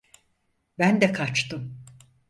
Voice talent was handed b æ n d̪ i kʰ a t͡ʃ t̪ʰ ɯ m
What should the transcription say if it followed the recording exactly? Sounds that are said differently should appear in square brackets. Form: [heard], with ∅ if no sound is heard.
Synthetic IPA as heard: b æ n d̪ [ɛ] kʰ a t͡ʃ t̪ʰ ɯ m